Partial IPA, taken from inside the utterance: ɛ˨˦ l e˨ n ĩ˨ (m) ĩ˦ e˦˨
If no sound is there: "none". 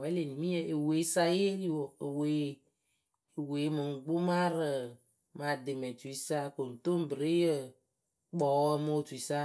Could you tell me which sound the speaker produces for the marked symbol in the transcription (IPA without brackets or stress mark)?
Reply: m